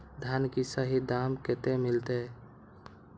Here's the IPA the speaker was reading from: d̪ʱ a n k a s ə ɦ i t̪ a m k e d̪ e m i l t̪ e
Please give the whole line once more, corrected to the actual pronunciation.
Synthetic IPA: d̪ʱ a n k i s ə ɦ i d̪ a m k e t̪ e m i l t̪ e